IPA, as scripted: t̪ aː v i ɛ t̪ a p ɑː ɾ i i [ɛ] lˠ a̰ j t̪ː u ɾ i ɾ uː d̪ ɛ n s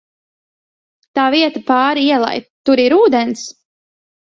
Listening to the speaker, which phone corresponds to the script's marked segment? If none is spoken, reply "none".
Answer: ɛ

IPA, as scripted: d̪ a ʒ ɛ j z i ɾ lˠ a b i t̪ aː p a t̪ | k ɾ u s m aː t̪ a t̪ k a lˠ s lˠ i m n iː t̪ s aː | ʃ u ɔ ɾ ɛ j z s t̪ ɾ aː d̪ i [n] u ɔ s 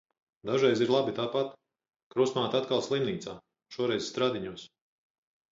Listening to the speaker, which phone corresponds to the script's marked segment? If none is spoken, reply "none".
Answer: ɲ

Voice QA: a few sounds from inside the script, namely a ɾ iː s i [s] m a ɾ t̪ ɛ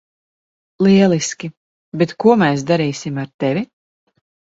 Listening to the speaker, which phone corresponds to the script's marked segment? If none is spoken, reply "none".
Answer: none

